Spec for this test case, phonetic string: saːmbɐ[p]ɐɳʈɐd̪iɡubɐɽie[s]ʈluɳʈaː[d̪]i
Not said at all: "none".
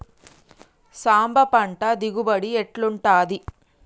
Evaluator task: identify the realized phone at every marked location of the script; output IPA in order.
p, none, d̪

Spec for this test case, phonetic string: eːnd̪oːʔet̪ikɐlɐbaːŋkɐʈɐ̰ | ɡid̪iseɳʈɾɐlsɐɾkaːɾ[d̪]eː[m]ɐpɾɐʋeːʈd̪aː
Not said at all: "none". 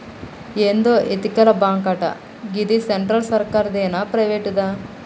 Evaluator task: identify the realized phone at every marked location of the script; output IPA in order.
d̪, n

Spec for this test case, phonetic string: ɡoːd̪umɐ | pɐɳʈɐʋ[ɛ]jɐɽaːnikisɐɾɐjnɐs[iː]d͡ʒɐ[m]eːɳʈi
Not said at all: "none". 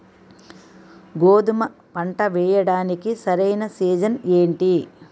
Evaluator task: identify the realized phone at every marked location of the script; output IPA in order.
ɛː, iː, n

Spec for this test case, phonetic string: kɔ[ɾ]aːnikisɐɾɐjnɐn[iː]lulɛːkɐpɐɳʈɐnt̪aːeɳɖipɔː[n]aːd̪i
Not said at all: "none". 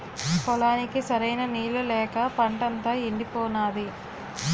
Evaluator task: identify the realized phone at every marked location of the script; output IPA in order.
l, iː, n

